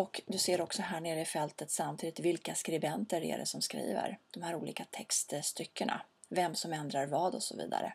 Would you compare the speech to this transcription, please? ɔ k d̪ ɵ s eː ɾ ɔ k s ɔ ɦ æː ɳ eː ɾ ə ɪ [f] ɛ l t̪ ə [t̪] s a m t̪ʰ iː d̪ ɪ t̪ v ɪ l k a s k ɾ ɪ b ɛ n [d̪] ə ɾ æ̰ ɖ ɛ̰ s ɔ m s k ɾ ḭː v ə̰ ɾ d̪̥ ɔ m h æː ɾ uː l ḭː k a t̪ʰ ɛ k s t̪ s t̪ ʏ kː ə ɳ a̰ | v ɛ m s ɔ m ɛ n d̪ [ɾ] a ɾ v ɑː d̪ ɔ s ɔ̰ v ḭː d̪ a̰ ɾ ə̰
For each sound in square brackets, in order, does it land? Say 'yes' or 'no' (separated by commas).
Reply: yes, yes, no, yes